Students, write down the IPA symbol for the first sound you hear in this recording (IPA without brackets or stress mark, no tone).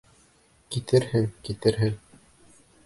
k